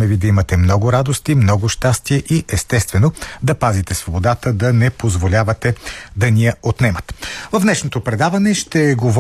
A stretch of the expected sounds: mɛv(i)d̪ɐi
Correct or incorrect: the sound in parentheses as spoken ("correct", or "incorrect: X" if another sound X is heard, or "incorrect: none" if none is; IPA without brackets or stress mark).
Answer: correct